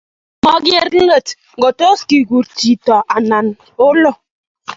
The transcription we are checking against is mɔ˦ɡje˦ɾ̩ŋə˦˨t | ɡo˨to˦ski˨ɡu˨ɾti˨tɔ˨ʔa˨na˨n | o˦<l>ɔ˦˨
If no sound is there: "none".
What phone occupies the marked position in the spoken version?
l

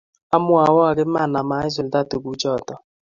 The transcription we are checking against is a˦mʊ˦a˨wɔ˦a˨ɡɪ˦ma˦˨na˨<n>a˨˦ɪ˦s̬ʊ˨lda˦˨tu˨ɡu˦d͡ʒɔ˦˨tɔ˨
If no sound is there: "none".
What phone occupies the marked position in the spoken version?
m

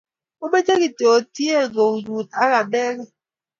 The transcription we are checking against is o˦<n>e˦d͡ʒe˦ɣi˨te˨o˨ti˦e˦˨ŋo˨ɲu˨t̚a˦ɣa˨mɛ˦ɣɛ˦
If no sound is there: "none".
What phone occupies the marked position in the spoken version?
m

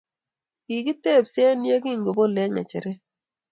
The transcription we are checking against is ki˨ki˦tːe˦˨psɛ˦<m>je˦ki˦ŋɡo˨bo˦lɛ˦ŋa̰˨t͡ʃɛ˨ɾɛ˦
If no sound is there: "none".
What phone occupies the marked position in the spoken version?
n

